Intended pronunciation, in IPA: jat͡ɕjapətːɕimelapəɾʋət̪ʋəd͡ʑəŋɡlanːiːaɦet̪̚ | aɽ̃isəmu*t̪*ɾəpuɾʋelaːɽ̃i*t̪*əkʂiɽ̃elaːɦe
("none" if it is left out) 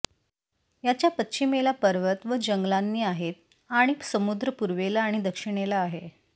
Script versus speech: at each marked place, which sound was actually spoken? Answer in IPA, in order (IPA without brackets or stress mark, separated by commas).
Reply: d̪, d̪